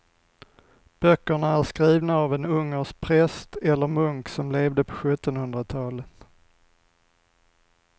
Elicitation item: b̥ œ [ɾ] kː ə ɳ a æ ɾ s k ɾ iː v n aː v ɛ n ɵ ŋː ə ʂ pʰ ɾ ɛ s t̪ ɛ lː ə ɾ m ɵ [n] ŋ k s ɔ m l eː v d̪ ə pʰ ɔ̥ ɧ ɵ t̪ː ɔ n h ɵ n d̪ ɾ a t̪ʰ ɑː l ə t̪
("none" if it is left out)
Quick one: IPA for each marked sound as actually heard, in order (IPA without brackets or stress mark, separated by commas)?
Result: none, none